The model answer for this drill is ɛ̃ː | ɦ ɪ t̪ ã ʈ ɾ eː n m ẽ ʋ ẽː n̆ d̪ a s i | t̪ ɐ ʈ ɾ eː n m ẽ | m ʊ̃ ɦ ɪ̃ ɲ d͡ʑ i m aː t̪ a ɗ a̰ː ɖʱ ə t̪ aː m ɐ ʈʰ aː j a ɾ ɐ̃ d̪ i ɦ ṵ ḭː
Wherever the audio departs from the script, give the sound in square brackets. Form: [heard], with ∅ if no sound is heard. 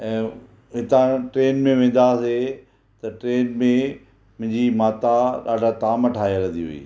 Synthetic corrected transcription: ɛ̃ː | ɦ ɪ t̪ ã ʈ ɾ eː n m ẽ ʋ ẽː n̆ d̪ a s [e] | t̪ ɐ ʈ ɾ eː n m ẽ | m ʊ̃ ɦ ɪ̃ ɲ d͡ʑ i m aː t̪ a ɗ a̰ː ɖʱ [a] t̪ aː m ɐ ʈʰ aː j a ɾ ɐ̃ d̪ i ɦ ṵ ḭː